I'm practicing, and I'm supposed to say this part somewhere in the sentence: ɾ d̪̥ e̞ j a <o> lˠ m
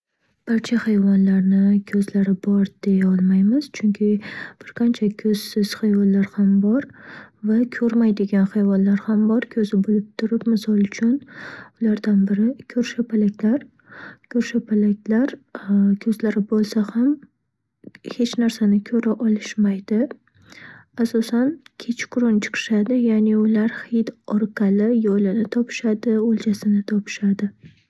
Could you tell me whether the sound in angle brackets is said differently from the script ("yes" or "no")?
yes